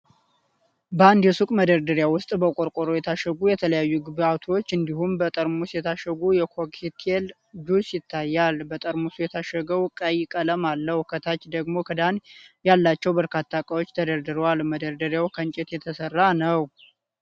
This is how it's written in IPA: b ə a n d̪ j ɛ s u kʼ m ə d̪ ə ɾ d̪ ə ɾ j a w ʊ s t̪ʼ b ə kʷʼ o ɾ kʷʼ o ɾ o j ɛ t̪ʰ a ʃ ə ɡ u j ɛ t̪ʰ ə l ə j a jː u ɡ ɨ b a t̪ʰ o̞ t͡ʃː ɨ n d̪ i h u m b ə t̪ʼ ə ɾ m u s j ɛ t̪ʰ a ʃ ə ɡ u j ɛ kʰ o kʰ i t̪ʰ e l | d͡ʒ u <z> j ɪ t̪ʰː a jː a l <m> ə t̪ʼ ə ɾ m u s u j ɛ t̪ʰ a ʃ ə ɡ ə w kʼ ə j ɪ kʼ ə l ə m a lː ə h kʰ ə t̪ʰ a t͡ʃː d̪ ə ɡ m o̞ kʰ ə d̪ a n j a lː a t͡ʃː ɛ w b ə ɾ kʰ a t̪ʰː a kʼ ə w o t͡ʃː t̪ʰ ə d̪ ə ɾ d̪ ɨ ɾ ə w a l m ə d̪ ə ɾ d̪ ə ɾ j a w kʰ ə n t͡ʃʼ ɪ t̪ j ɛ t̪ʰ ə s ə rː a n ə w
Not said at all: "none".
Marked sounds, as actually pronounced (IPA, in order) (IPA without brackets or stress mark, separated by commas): s, b